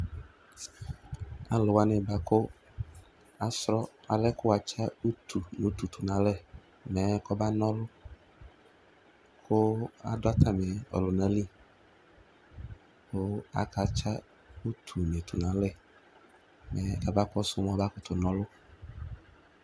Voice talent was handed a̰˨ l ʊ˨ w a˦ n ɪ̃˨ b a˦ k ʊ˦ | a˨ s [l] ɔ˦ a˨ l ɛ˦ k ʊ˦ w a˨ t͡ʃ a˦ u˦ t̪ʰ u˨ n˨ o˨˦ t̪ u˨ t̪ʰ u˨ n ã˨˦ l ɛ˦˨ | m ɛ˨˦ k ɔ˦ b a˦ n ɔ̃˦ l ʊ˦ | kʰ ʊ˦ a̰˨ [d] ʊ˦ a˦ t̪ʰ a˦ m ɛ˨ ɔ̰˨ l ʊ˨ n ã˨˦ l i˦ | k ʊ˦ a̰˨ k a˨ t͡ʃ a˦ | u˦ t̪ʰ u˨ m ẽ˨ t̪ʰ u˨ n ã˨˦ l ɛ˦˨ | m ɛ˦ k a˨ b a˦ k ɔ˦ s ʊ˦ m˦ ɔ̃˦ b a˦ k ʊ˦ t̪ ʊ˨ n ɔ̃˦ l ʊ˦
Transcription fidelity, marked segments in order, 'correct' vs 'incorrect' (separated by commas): incorrect, correct